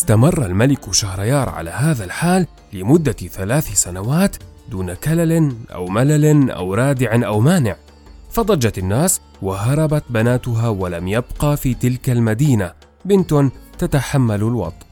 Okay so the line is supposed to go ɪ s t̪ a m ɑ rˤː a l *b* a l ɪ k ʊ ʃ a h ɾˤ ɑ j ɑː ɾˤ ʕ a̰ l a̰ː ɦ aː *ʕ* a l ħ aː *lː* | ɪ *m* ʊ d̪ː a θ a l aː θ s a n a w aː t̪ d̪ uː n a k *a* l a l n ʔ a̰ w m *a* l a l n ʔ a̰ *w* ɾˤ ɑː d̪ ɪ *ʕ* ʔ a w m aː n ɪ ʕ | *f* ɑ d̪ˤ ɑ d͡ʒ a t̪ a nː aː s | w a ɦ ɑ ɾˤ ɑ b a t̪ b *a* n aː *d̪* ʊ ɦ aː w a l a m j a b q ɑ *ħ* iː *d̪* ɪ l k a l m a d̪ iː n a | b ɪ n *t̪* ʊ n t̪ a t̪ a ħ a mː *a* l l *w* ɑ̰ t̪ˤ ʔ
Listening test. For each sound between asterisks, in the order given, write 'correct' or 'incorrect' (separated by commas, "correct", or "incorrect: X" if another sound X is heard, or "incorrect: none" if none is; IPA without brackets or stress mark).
incorrect: m, incorrect: ð, correct, correct, correct, correct, correct, correct, correct, correct, incorrect: t̪, incorrect: f, incorrect: t̪, correct, correct, correct